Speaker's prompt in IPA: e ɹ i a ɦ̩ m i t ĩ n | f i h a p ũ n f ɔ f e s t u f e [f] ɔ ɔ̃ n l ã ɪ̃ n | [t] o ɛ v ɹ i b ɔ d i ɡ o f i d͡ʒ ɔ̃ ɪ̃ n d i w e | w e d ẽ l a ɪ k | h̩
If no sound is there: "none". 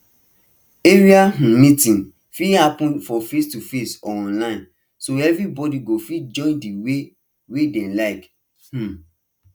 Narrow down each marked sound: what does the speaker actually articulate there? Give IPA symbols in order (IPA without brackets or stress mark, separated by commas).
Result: s, s